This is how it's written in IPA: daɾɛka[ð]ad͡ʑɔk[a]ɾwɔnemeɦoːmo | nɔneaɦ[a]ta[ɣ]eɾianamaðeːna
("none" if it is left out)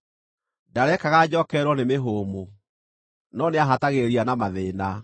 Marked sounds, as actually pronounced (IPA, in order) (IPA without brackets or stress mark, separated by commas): ɣ, ɛ, a, ɣ